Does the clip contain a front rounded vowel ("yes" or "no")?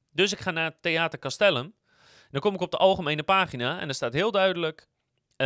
yes